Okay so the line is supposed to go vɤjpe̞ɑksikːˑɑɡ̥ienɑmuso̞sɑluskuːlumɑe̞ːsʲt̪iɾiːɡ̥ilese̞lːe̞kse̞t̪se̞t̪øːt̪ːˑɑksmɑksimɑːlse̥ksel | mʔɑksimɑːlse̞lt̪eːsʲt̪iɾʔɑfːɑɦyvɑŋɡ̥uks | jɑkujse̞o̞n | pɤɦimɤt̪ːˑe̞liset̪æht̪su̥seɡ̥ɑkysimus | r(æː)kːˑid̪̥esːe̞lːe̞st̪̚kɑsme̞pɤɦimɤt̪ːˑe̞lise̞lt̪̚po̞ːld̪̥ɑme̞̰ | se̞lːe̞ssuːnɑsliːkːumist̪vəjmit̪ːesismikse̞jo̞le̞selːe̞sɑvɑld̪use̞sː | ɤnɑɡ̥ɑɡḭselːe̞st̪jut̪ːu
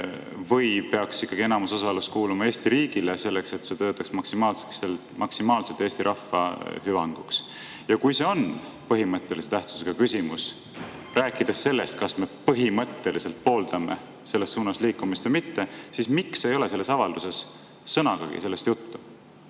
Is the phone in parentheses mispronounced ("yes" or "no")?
no